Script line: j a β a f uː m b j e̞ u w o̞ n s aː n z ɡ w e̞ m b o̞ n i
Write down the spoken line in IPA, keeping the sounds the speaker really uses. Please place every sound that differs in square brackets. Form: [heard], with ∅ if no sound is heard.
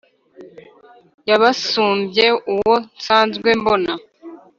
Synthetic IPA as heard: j a β a [s] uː m b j e̞ u w o̞ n s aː n z ɡ w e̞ m b o̞ n [a]

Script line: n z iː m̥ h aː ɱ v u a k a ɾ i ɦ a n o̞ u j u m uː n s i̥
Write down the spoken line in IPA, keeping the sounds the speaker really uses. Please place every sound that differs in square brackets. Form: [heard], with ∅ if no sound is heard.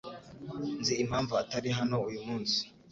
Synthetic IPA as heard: n z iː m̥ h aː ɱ v u a [t] a ɾ i ɦ a n o̞ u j u m uː n s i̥

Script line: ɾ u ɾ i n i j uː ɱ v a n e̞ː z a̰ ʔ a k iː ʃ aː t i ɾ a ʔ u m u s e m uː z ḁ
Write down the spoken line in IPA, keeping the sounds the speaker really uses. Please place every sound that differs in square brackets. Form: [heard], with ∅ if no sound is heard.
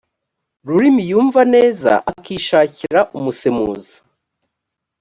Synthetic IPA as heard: ɾ u ɾ i [m] i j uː ɱ v a n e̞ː z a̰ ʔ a k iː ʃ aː [c] i ɾ a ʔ u m u s e m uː z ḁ

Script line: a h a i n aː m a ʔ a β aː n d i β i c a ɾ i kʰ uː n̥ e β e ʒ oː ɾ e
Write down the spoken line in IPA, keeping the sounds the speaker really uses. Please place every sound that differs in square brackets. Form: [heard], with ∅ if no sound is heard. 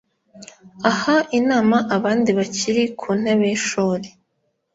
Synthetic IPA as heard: a h a i n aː m a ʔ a β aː n d i β [a] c [i] ɾ i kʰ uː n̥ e β e [ʃ] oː ɾ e

